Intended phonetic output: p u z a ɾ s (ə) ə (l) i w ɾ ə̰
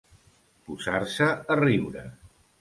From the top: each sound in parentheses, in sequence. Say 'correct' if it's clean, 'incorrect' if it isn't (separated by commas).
correct, incorrect